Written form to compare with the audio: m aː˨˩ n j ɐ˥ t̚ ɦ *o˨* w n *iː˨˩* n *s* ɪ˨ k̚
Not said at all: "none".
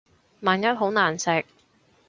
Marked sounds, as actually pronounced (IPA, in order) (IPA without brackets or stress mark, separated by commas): o˨˥, aː˨˩, s